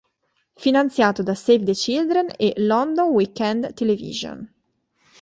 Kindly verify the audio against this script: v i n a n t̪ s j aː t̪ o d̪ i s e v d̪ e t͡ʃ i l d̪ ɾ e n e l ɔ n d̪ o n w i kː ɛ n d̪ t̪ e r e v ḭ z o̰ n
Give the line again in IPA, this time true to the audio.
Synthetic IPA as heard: f i n a n t̪ s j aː t̪ o d̪ a s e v d̪ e t͡ʃ i l d̪ ɾ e n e l ɔ n d̪ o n w i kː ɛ n d̪ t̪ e l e v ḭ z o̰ n